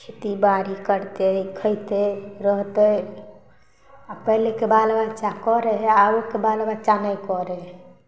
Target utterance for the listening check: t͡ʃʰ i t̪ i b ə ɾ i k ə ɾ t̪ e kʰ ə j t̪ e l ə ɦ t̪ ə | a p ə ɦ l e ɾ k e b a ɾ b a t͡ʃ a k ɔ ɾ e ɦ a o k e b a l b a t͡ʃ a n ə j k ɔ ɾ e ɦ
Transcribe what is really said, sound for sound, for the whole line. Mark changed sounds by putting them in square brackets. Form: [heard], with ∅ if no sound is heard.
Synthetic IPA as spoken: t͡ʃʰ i t̪ i b [a] ɾ i k ə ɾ t̪ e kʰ ə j t̪ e [ɾ] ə ɦ t̪ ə | a p ə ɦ l e [∅] k e b a [l] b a t͡ʃ a k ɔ ɾ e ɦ a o k e b a l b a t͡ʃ a n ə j k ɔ ɾ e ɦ

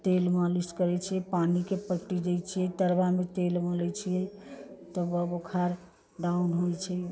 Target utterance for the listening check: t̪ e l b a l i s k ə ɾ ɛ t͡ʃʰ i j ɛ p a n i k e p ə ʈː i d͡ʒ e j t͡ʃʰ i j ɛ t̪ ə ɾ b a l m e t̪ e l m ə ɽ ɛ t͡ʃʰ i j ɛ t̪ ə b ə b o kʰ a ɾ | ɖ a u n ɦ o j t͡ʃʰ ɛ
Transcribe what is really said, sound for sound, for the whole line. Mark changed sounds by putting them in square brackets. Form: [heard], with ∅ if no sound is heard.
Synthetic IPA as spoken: t̪ e l [m] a l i s k ə ɾ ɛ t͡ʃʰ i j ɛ p a n i k e p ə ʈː i d͡ʒ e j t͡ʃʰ i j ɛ t̪ ə ɾ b a [∅] m e t̪ e l m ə [l] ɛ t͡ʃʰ i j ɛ t̪ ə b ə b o kʰ a ɾ | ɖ a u n ɦ o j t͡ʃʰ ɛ

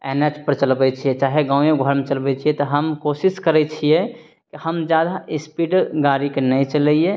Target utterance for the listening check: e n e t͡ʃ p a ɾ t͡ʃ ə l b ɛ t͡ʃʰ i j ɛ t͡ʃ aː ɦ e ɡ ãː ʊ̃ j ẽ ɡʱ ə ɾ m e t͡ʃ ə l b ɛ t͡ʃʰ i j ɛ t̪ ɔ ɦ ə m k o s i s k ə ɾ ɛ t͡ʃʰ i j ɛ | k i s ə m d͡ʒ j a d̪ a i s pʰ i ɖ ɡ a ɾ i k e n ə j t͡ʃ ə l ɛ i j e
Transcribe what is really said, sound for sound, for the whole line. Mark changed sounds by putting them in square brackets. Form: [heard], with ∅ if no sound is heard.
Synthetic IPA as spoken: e n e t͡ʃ p [ə] ɾ t͡ʃ ə l b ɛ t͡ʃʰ i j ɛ t͡ʃ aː ɦ e ɡ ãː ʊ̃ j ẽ ɡʱ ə ɾ m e t͡ʃ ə l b ɛ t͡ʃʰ i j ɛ t̪ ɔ ɦ ə m k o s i s k ə ɾ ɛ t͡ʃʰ i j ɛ | k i [h] ə m d͡ʒ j a d̪ a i s [p] i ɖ ɡ a ɾ i k e n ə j t͡ʃ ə l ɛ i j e

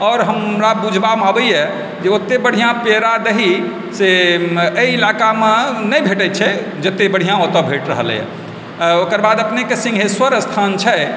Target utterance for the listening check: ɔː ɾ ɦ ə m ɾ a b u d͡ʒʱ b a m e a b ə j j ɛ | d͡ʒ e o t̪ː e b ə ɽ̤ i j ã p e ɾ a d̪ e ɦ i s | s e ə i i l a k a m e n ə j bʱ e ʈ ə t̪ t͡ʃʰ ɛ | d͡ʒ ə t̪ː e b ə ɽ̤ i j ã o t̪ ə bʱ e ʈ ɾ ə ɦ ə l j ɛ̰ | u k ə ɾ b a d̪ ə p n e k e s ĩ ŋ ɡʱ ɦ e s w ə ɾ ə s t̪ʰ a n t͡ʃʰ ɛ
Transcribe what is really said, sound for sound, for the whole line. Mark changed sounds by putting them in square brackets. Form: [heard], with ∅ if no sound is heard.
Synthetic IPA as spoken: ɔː ɾ ɦ ə m ɾ a b u d͡ʒʱ b a m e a b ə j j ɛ | d͡ʒ e o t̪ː e b ə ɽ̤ i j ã p e ɾ a d̪ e ɦ i [∅] | s e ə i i l a k a m e n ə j bʱ e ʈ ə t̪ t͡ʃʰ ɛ | d͡ʒ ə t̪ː e b ə ɽ̤ i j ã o t̪ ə bʱ e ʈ ɾ ə ɦ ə l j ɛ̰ | [o] k ə ɾ b a d̪ ə p n e k e s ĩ ŋ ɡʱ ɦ e s w ə ɾ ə s t̪ʰ a n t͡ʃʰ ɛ

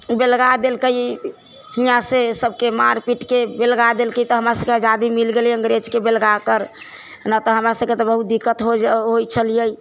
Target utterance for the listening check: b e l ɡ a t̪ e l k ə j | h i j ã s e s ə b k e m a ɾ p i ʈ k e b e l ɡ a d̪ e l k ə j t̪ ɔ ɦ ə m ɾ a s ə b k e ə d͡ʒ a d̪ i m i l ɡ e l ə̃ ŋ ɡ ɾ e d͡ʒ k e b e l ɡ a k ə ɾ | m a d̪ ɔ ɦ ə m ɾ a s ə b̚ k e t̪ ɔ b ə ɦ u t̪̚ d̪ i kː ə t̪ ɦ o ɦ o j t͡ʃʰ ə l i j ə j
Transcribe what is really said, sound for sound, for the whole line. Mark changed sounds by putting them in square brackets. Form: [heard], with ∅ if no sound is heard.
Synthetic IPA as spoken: b e l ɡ a [d̪] e l k ə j | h i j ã s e s ə b k e m a ɾ p i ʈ k e b e l ɡ a d̪ e l k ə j t̪ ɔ ɦ ə m ɾ a s ə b k e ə d͡ʒ a d̪ i m i l ɡ e l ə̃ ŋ ɡ ɾ e d͡ʒ k e b e l ɡ a k ə ɾ | [n] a [t̪] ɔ ɦ ə m ɾ a s ə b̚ k e t̪ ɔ b ə ɦ u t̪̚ d̪ i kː ə t̪ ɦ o ɦ o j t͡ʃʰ ə l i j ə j

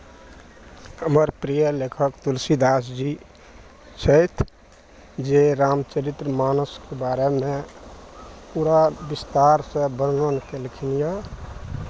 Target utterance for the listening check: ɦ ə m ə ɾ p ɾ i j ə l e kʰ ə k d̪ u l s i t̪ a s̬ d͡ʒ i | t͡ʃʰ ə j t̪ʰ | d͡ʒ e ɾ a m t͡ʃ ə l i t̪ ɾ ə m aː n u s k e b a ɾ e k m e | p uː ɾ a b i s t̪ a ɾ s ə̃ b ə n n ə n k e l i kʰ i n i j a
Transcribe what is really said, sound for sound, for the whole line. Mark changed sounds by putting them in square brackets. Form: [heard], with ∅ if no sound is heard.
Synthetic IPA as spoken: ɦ ə m ə ɾ p ɾ i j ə l e kʰ ə k [t̪] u l s i [d̪] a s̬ d͡ʒ i | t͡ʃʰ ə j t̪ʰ | d͡ʒ e ɾ a m t͡ʃ ə [ɾ] i t̪ ɾ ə m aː n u s k e b a ɾ e [∅] m e | p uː ɾ a b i s t̪ a ɾ s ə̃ b ə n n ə n k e l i kʰ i n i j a

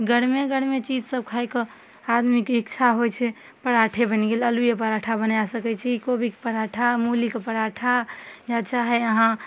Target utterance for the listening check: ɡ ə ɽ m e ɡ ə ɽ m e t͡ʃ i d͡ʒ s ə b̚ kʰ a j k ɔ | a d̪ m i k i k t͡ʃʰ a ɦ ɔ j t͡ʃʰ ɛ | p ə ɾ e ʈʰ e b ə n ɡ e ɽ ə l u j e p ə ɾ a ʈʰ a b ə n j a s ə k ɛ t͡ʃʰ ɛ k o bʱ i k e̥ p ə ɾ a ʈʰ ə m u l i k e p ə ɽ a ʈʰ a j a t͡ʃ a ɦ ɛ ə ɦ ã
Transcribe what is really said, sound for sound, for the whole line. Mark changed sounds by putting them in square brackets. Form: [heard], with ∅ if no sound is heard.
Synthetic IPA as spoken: ɡ ə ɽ m e ɡ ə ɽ m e t͡ʃ i d͡ʒ s ə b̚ kʰ a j k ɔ | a d̪ m i k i k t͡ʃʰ a ɦ [o] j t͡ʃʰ ɛ | p ə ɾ [a] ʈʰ e b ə n ɡ e [l] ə l u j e p ə ɾ a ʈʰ a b ə n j a s ə k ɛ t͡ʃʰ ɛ k o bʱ i k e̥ p ə ɾ a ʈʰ [a] m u l i k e p ə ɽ a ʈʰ a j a t͡ʃ a ɦ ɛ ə ɦ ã

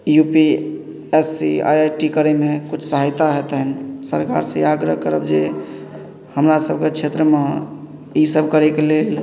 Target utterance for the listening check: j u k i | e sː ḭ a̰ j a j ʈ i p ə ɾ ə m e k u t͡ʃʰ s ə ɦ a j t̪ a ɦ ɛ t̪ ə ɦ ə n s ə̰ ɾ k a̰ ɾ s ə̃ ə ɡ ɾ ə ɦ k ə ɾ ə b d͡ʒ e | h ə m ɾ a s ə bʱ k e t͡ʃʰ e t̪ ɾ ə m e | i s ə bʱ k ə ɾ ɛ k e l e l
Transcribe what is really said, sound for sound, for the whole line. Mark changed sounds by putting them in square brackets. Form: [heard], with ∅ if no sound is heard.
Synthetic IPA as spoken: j u [p] i | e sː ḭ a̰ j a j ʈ i [k] ə ɾ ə m e k u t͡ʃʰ s ə ɦ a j t̪ a ɦ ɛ t̪ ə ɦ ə n s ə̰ ɾ k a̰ ɾ s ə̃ [a] ɡ ɾ ə ɦ k ə ɾ ə b d͡ʒ e | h ə m ɾ a s ə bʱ k e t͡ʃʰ e t̪ ɾ ə m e | i s ə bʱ k ə ɾ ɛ k e l e l

